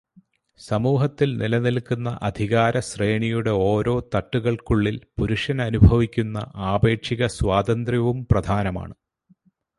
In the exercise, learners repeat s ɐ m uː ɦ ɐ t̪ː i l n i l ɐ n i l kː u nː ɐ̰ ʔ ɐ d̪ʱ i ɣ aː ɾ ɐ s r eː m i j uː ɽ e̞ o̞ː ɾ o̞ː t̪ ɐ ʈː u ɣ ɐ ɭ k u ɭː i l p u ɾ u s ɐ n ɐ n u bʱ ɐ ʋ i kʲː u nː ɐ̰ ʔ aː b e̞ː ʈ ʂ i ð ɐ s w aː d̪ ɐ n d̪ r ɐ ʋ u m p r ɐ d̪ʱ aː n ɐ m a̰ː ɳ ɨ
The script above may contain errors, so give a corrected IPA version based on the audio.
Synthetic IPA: s ɐ m uː ɦ ɐ t̪ː i l n i l ɐ n i l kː u nː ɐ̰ ʔ ɐ d̪ʱ i ɣ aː ɾ ɐ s r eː ɳ i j u ɽ e̞ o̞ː ɾ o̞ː t̪ ɐ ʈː u ɣ ɐ ɭ k u ɭː i l p u ɾ u ʂ ɐ n ɐ n u bʱ ɐ ʋ i kʲː u nː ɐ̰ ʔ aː b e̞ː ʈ ʂ i ɣ ɐ s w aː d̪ ɐ n d̪ r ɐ ʋ u m p r ɐ d̪ʱ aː n ɐ m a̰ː ɳ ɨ

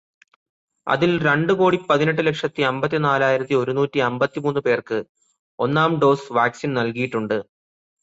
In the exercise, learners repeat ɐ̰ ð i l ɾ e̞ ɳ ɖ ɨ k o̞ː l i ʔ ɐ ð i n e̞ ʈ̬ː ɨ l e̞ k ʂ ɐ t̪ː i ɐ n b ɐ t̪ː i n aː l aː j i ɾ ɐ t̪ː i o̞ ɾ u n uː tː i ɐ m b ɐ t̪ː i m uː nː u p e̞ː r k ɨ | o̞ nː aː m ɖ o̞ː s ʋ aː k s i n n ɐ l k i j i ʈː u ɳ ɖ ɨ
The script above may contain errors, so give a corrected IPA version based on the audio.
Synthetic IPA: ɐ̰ ð i l ɾ e̞ ɳ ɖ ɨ k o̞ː ɽ i p ɐ ð i n e̞ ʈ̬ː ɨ l e̞ k ʂ ɐ t̪ː i ɐ m b ɐ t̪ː i n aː l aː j i ɾ ɐ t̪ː i o̞ ɾ u n uː tː i ɐ m b ɐ t̪ː i m uː nː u p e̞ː r k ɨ | o̞ nː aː m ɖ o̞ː s ʋ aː k s i n n ɐ l k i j i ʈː u ɳ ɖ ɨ

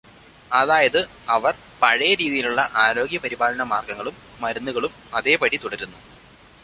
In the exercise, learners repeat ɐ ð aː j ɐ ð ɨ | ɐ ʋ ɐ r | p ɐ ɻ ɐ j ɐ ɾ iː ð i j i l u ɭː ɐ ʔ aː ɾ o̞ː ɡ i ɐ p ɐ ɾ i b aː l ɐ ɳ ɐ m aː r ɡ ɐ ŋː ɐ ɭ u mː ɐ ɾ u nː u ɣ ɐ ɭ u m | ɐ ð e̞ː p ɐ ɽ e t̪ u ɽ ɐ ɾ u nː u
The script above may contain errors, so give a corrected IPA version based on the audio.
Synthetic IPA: ɐ ð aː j ɐ ð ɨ | ɐ ʋ ɐ r | p ɐ ɻ ɐ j ɐ ɾ iː ð i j i l u ɭː ɐ ʔ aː ɾ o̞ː ɡ j ɐ p ɐ ɾ i b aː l ɐ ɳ ɐ m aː r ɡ ɐ ŋː ɐ ɭ u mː ɐ ɾ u nː u ɣ ɐ ɭ u m | ɐ ð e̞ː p ɐ ɽ i t̪ u ɽ ɐ ɾ u nː u

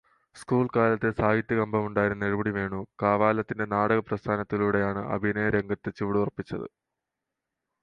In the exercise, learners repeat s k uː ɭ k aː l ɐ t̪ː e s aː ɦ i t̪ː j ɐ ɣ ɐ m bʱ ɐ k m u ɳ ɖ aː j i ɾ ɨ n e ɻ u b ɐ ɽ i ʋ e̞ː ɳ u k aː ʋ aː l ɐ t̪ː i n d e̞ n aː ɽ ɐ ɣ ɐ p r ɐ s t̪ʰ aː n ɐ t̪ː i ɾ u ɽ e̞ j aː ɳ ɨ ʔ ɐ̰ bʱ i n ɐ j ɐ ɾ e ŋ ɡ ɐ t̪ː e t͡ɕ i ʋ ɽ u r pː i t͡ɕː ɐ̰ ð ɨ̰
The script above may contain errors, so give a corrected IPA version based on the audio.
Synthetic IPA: s k uː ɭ k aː l ɐ t̪ː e s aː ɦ i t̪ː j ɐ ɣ ɐ m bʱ ɐ m u ɳ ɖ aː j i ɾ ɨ n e ɻ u b ɐ ɽ i ʋ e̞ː ɳ u k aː ʋ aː l ɐ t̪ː i n d e̞ n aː ɽ ɐ ɣ ɐ p r ɐ s t̪ʰ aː n ɐ t̪ː i l u ɽ e̞ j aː ɳ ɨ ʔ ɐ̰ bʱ i n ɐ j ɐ ɾ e ŋ ɡ ɐ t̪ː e t͡ɕ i ʋ ɽ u r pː i t͡ɕː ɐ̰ ð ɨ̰

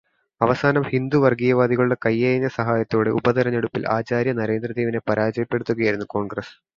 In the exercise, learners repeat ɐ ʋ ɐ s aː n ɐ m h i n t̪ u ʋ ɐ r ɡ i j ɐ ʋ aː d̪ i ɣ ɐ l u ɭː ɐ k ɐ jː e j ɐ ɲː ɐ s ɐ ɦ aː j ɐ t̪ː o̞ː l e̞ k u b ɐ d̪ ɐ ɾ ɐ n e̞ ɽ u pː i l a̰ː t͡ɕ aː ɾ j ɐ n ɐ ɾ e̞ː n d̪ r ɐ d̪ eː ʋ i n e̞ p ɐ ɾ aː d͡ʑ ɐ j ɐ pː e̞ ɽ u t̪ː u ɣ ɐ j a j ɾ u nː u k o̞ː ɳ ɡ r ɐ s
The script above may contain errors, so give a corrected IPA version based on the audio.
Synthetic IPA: ɐ ʋ ɐ s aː n ɐ m h i n d̪ u ʋ ɐ r ɡ i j ɐ ʋ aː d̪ i ɣ ɐ ɭ u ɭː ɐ k ɐ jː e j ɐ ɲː ɐ s ɐ ɦ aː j ɐ t̪ː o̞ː ɽ e̞ u b ɐ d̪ ɐ ɾ ɐ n e̞ ɽ u pː i l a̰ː t͡ɕ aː ɾ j ɐ n ɐ ɾ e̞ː n d̪ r ɐ d̪ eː ʋ i n e̞ p ɐ ɾ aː d͡ʑ ɐ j ɐ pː e̞ ɽ u t̪ː u ɣ ɐ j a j ɾ u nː u k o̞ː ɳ ɡ r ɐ s

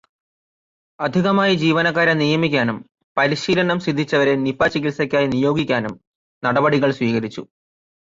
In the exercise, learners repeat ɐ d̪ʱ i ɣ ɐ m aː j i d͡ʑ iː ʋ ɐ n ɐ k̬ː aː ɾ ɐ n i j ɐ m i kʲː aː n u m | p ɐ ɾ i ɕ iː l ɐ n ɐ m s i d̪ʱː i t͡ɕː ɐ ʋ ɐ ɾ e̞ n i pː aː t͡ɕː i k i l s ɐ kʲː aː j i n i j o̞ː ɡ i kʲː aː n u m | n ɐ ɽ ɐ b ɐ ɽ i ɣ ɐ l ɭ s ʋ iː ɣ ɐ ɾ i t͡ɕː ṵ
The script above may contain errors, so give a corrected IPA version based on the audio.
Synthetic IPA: ɐ d̪ʱ i ɣ ɐ m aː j i d͡ʑ iː ʋ ɐ n ɐ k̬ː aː ɾ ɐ n i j ɐ m i kʲː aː n u m | p ɐ ɾ i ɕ iː l ɐ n ɐ m s i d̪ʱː i t͡ɕː ɐ ʋ ɐ ɾ e̞ n i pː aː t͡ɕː i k i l s ɐ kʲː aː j i n i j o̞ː ɡ i kʲː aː n u m | n ɐ ɽ ɐ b ɐ ɽ i ɣ ɐ ɭ s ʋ iː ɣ ɐ ɾ i t͡ɕː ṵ

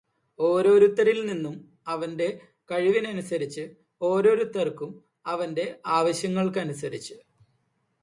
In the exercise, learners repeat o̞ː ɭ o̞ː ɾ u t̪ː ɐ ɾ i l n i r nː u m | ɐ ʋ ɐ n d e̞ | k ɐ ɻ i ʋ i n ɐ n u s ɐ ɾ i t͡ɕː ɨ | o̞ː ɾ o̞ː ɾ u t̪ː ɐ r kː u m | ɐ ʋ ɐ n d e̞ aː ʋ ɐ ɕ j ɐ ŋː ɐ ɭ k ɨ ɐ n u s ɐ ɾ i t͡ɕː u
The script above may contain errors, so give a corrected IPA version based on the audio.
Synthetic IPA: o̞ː ɾ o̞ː ɾ u t̪ː ɐ ɾ i l n i nː u m | ɐ ʋ ɐ n d e̞ | k ɐ ɻ i ʋ i n ɐ n u s ɐ ɾ i t͡ɕː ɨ | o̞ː ɾ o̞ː ɾ u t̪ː ɐ r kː u m | ɐ ʋ ɐ n d e̞ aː ʋ ɐ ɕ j ɐ ŋː ɐ ɭ k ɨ ɐ n u s ɐ ɾ i t͡ɕː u

